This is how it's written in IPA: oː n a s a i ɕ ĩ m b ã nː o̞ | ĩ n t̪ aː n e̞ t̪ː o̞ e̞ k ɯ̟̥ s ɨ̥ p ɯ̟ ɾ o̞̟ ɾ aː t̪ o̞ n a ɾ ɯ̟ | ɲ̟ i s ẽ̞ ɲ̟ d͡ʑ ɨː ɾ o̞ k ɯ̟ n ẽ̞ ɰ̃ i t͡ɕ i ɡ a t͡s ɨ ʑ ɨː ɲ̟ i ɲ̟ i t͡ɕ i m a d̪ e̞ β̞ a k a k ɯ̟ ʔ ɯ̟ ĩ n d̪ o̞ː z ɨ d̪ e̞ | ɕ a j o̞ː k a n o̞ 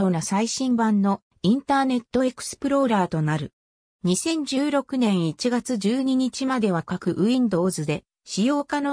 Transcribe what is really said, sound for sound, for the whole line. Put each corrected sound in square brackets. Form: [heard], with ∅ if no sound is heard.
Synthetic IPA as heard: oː n a s a i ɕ ĩ m b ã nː o̞ | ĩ n t̪ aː n e̞ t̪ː o̞ e̞ k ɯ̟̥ s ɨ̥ p ɯ̟ ɾ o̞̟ ɾ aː t̪ o̞ n a ɾ ɯ̟ | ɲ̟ i s ẽ̞ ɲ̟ d͡ʑ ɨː ɾ o̞ k ɯ̟ n ẽ̞ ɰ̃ i t͡ɕ i ɡ a t͡s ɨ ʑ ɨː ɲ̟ i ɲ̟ i t͡ɕ i m a d̪ e̞ β̞ a k a k ɯ̟ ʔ ɯ̟ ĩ n d̪ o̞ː z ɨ d̪ e̞ | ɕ [i] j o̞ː k a n o̞

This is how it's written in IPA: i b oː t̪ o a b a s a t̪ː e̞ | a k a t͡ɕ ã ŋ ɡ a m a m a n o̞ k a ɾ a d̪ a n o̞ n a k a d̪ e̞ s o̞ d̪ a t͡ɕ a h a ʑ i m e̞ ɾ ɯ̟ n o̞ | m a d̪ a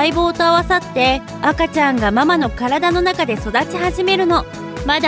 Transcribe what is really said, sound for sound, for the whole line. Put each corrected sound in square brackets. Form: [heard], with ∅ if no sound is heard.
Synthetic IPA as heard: i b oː t̪ o a [β] a s a t̪ː e̞ | a k a t͡ɕ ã ŋ ɡ a m a m a n o̞ k a ɾ a d̪ a n o̞ n a k a d̪ e̞ s o̞ d̪ a t͡ɕ [i] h a ʑ i m e̞ ɾ ɯ̟ n o̞ | m a d̪ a

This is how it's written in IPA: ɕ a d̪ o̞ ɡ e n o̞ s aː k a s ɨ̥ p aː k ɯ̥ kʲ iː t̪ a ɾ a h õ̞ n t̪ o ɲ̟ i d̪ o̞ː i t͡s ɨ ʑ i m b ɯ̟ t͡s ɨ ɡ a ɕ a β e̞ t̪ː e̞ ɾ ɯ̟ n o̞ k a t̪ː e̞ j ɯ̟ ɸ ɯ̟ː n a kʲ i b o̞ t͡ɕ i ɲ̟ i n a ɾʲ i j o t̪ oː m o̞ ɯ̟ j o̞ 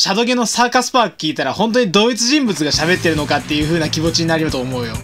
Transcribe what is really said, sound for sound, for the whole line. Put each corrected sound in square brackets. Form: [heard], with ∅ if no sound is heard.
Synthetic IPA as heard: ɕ a d̪ o̞ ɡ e n o̞ s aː k a s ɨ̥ p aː k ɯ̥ kʲ iː t̪ a ɾ a h õ̞ n t̪ o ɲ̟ i d̪ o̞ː i t͡s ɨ ʑ [ĩ] m b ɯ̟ t͡s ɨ ɡ a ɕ a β e̞ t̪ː e̞ ɾ ɯ̟ n o̞ k a t̪ː e̞ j ɯ̟ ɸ ɯ̟ː n a kʲ i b o̞ t͡ɕ i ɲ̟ i n a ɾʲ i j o t̪ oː m o̞ ɯ̟ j o̞

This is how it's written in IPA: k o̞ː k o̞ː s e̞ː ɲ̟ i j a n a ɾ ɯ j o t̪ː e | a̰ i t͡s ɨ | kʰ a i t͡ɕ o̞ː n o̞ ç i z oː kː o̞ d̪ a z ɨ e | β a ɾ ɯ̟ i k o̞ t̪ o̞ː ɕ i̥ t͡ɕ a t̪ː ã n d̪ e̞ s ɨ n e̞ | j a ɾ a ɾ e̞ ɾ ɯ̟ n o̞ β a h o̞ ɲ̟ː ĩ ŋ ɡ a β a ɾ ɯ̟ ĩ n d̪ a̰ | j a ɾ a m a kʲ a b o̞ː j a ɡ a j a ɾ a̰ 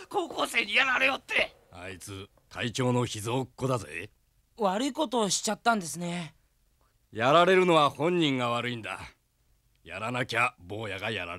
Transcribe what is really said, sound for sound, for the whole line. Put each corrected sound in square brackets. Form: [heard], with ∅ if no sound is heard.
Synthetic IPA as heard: k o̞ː k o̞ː s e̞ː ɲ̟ i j a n a ɾ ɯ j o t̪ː e | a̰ i t͡s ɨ | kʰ a i t͡ɕ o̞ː n o̞ ç i z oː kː o̞ d̪ a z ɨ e | β a ɾ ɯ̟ i k o̞ t̪ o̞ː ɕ i̥ t͡ɕ a t̪ː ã n d̪ e̞ s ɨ n e̞ | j a ɾ a ɾ e̞ ɾ ɯ̟ n o̞ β a h [õ̞] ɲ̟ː ĩ ŋ ɡ a β a ɾ ɯ̟ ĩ n d̪ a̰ | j a ɾ a [n] a kʲ a b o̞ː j a ɡ a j a ɾ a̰

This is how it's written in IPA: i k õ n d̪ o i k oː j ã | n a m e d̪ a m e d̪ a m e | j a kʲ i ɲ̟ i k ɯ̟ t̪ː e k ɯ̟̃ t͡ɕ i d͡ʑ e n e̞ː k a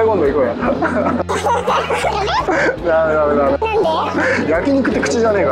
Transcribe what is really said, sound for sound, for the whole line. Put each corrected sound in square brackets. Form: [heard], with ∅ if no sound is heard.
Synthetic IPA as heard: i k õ n d̪ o i k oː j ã | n a m e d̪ a m e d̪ a m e | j a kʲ i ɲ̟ i k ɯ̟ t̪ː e k [ɯ̟] t͡ɕ i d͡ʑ [a] n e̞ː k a

